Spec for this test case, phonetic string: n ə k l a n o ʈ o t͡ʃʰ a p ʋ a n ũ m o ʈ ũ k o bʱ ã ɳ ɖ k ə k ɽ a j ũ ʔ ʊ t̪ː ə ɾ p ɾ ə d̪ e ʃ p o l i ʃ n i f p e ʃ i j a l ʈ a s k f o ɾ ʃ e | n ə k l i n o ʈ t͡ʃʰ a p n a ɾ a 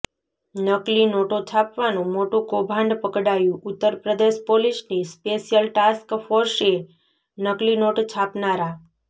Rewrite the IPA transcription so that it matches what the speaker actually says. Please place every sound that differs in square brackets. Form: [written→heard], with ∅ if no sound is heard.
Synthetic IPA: n ə k l [a→i] n o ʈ o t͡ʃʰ a p ʋ a n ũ m o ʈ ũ k o bʱ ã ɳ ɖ [k→p] ə k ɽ a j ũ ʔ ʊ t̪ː ə ɾ p ɾ ə d̪ e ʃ p o l i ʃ n i [f→s] p e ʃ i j [a→ə] l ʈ a s k f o ɾ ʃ e | n ə k l i n o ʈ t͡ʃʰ a p n a ɾ a